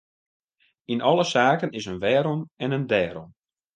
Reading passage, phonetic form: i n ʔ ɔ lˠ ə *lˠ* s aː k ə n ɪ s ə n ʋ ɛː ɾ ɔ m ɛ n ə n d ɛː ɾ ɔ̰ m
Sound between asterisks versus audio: incorrect: none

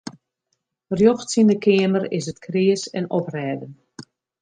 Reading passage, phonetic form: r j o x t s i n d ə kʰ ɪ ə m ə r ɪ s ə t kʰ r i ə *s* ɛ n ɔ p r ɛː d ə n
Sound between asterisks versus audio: correct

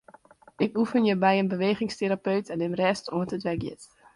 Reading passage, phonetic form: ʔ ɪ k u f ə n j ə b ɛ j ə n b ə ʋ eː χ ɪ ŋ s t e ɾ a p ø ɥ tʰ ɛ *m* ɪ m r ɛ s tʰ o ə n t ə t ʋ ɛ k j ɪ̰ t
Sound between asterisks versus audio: incorrect: n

